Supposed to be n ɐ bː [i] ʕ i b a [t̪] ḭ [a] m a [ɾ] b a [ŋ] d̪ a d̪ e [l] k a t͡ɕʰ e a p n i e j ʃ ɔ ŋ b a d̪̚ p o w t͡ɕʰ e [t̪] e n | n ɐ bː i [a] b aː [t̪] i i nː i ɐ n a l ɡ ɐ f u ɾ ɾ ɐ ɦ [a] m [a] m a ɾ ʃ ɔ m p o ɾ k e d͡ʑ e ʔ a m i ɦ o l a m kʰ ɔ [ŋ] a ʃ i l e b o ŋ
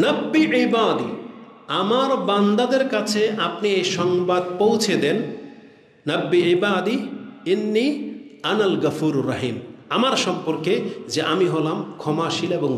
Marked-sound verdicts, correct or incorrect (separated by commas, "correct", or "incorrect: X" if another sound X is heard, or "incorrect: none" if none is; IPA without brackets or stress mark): correct, incorrect: d̪, correct, correct, incorrect: n, incorrect: ɾ, incorrect: d̪, incorrect: i, incorrect: d̪, incorrect: i, correct, incorrect: m